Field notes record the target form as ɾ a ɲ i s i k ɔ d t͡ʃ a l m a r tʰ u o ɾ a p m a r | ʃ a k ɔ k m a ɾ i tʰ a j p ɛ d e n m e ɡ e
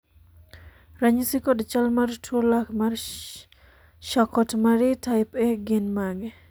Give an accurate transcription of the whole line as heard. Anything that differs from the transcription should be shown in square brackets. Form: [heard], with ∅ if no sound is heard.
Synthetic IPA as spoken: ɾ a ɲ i s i k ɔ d t͡ʃ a l m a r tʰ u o [l] a [k] m a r | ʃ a k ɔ [t] m a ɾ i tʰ a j p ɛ [ɡ] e n m [a] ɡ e